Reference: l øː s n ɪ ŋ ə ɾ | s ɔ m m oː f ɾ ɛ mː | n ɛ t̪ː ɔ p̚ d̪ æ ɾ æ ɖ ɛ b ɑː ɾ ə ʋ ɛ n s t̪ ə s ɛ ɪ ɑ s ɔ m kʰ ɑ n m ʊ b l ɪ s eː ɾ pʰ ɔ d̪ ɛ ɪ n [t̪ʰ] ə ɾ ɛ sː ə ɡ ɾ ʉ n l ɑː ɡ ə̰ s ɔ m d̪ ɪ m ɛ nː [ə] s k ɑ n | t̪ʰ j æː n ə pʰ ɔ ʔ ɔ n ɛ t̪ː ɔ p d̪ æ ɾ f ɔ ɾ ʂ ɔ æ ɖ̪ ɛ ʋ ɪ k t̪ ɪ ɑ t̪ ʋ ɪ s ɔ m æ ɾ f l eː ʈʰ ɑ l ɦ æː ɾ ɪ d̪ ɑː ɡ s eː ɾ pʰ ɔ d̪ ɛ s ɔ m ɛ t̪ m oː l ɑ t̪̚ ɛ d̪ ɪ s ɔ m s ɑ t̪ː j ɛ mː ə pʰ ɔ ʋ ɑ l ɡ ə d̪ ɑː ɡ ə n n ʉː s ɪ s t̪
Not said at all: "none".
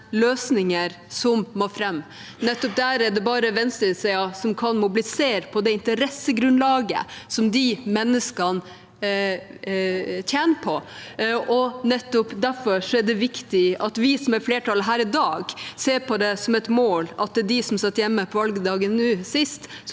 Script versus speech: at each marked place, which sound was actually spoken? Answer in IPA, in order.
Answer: t̪, ə

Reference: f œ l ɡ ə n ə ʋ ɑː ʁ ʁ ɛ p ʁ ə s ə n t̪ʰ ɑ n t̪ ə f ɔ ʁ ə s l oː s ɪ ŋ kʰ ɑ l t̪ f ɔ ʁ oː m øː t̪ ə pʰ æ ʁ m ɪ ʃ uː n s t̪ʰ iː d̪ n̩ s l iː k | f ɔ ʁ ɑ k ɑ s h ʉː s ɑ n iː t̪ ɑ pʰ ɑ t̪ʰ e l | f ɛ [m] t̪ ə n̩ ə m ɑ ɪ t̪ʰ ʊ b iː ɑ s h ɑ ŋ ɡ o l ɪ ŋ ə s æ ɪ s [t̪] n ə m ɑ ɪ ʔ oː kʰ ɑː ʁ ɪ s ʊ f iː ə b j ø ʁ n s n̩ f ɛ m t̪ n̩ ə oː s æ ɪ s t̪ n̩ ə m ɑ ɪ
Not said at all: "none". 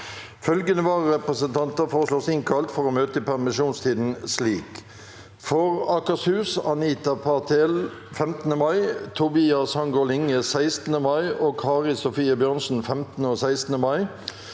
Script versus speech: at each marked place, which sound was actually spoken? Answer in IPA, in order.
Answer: m, t̪

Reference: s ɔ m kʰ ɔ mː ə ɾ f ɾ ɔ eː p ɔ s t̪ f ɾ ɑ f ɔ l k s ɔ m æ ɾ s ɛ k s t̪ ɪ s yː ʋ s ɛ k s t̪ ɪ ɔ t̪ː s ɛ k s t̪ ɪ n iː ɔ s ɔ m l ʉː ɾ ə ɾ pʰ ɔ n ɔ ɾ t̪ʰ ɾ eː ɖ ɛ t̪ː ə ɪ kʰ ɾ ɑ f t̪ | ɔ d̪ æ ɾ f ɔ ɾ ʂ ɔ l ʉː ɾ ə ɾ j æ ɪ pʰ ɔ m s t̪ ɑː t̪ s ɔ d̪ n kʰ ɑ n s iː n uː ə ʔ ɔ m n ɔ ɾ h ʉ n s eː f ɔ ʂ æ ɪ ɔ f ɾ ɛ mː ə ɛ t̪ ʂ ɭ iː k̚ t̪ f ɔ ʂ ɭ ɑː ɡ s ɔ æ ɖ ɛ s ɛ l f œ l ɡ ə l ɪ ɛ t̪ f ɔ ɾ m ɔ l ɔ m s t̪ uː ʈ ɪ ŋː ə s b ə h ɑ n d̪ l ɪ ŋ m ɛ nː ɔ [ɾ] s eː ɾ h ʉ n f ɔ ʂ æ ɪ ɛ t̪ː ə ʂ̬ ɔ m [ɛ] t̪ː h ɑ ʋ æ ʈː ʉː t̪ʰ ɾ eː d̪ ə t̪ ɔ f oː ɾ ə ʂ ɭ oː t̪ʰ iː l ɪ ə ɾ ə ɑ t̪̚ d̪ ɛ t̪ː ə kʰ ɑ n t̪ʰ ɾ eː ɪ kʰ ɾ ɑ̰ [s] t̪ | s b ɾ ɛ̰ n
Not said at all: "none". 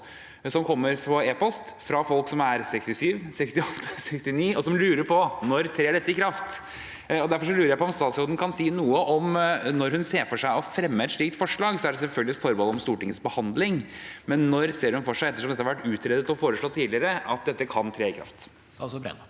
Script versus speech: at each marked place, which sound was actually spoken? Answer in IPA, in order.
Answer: ɾ, ɛ, f

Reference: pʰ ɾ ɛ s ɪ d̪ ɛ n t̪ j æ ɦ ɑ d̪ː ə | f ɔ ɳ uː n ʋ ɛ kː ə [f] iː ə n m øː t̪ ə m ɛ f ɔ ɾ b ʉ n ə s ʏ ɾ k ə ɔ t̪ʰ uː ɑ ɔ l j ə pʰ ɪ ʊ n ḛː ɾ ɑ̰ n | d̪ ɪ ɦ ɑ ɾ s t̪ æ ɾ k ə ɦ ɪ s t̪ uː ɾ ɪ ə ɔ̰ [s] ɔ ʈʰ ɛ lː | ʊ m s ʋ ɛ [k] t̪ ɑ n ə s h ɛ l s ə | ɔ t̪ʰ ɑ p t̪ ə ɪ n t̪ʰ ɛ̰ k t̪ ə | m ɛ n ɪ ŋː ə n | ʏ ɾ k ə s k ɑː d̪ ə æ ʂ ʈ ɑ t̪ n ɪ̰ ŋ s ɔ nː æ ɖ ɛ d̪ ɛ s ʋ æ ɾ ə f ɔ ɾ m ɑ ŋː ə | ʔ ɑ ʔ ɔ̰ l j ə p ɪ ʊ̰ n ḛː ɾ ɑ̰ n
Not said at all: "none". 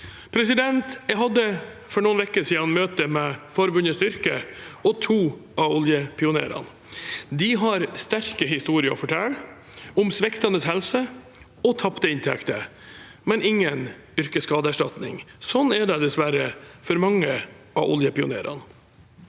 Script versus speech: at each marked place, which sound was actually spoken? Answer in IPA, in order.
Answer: s, f, k

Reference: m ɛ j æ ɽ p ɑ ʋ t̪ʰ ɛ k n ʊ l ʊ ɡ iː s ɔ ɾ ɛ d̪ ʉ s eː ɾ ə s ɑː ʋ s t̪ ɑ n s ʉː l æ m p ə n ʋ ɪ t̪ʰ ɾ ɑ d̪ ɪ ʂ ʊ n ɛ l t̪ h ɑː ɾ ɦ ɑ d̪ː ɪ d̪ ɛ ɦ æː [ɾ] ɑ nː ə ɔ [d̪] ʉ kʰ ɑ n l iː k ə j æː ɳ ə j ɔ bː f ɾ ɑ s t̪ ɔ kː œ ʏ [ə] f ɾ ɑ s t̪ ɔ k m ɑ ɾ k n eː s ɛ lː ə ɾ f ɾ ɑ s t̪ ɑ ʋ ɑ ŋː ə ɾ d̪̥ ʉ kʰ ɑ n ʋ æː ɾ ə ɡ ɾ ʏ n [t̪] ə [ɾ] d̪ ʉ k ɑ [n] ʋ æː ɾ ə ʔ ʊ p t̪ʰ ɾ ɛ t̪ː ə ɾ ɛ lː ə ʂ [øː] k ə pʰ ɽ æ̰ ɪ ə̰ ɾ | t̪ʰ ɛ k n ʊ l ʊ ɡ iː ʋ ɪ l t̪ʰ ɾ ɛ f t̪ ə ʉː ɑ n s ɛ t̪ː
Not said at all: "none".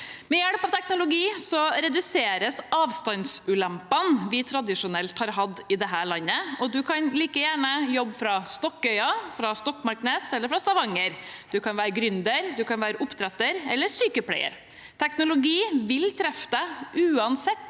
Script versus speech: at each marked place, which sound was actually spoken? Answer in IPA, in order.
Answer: ɭ, d̪, ɑ, d̪, ɾ, n, yː

